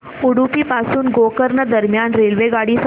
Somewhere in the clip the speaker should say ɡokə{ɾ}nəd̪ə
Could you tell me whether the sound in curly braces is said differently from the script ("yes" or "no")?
no